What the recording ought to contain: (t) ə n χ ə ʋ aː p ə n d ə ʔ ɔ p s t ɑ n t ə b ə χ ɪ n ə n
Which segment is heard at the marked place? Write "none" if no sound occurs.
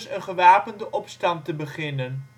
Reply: s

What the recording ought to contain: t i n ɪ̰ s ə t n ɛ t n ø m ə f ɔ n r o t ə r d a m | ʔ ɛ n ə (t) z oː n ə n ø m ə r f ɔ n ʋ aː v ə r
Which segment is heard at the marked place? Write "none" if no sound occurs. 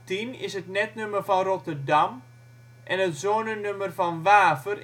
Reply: t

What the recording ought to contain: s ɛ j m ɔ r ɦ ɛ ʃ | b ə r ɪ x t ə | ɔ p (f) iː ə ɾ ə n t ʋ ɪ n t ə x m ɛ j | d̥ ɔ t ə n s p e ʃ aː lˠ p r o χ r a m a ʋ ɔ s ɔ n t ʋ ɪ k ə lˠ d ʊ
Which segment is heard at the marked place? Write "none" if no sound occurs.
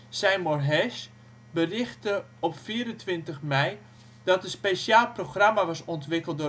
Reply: f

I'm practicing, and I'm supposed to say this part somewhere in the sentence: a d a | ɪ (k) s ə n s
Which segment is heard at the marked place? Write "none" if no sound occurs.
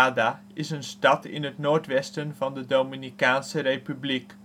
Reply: none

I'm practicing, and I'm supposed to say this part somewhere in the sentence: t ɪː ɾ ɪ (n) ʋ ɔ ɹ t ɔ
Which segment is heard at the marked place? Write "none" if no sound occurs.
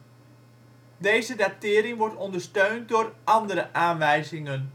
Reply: ŋ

